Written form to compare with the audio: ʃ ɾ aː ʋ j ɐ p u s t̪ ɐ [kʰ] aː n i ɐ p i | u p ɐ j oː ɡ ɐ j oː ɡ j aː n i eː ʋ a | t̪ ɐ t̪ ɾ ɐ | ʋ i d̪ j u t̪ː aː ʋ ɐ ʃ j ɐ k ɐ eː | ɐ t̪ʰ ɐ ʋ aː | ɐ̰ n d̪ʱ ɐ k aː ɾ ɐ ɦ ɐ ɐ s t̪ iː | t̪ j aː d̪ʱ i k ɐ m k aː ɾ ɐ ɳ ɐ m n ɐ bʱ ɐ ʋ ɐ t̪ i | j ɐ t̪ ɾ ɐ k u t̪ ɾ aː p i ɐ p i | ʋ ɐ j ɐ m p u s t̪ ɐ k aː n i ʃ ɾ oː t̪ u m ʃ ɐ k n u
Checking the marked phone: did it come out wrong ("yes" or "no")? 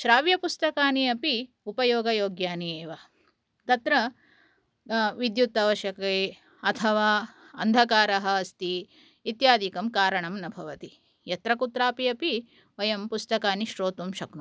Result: yes